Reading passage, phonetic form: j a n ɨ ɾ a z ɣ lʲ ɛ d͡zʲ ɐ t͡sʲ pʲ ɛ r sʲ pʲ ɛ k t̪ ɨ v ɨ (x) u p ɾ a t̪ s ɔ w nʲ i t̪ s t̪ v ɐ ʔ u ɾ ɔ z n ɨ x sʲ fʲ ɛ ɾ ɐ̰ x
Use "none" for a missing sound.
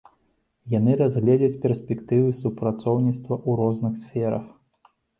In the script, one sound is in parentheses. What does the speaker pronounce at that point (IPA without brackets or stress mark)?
s